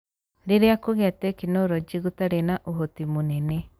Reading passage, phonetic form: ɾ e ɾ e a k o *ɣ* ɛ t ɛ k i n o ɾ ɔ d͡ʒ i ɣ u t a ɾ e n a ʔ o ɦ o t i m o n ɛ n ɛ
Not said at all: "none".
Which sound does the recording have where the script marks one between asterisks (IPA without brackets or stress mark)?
ɣ